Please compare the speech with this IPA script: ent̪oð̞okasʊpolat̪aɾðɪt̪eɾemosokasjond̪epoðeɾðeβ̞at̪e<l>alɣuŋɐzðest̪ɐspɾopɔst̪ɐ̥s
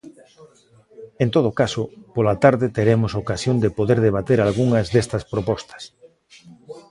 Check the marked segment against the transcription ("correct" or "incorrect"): incorrect